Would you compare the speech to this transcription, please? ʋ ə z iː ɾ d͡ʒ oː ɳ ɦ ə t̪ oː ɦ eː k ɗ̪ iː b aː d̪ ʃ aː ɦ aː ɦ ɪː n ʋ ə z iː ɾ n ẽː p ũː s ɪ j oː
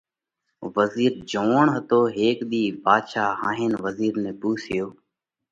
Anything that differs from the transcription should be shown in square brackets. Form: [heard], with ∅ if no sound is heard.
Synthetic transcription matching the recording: ʋ ə z iː ɾ d͡ʒ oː ɳ ɦ ə t̪ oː ɦ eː k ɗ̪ iː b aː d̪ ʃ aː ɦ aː ɦ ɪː n ʋ ə z iː ɾ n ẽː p [uː] s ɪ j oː